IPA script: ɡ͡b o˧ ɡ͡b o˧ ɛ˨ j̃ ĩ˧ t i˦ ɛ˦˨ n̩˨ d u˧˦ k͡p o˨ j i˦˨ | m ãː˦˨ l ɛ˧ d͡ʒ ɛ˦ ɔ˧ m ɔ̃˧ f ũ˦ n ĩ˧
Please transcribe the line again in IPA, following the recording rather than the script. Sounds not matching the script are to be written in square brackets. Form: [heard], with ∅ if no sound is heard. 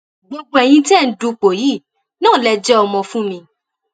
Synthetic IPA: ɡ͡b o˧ ɡ͡b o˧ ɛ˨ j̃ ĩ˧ t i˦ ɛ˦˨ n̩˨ d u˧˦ k͡p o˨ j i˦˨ | [n] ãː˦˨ l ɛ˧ d͡ʒ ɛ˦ ɔ˧ m ɔ̃˧ f ũ˦ [m] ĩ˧